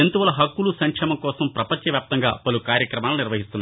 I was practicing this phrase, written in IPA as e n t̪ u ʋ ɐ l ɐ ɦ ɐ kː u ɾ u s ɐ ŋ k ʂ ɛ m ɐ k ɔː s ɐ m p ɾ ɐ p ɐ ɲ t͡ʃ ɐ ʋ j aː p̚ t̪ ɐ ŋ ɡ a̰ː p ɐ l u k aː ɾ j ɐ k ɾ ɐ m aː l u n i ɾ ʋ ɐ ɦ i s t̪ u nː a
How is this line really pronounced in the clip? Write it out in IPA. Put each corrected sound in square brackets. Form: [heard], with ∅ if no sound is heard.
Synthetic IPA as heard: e n t̪ u ʋ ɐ l ɐ ɦ ɐ kː u [l] u s ɐ ŋ k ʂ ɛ m ɐ k ɔː s ɐ m p ɾ ɐ p ɐ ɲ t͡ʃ ɐ ʋ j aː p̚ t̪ ɐ ŋ ɡ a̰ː p ɐ l u k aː ɾ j ɐ k ɾ ɐ m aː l u n i ɾ ʋ ɐ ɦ i s t̪ u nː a